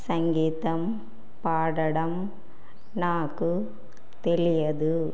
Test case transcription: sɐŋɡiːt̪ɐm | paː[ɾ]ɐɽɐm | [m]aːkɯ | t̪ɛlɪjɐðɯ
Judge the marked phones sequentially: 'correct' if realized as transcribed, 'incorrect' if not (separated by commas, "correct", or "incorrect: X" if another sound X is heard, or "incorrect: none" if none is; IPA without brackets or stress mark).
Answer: incorrect: ɽ, incorrect: n